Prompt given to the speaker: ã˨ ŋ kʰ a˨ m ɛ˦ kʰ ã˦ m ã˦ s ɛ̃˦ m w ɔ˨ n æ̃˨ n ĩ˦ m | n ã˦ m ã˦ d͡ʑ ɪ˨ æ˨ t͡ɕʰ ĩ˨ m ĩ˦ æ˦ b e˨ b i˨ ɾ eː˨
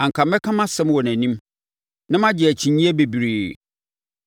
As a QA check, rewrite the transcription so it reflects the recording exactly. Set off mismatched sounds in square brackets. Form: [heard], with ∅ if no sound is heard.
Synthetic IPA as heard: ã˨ ŋ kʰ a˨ m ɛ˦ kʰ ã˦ m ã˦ s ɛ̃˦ m w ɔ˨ n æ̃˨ n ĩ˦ m | n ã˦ m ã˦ d͡ʑ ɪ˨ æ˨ t͡ɕʰ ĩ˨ [ɲ] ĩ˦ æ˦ b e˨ b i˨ ɾ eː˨